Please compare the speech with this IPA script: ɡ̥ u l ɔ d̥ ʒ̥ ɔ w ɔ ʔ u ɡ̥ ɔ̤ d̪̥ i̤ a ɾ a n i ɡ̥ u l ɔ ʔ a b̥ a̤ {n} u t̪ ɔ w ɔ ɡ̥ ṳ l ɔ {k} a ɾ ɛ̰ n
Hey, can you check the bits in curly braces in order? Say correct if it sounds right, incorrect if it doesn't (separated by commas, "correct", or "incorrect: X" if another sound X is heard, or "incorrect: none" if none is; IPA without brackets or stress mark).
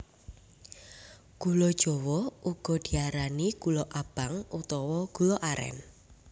incorrect: ŋ, incorrect: ʔ